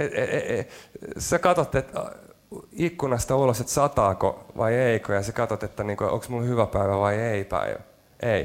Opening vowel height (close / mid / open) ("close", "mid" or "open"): mid